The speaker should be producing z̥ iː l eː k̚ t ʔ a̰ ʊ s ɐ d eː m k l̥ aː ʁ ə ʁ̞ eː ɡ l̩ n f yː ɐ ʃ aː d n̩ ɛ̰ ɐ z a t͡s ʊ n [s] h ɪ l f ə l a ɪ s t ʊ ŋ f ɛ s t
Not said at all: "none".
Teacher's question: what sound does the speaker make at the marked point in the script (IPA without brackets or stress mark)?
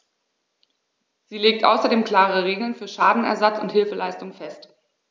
t